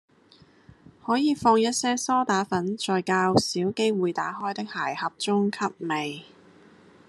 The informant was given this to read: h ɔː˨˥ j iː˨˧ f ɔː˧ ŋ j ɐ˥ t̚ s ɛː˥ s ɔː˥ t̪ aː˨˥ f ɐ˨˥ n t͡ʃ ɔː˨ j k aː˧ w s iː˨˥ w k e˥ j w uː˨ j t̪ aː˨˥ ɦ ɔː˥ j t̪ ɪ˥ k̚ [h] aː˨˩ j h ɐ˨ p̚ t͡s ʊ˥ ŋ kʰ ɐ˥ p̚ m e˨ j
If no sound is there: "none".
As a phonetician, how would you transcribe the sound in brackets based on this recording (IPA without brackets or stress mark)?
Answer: h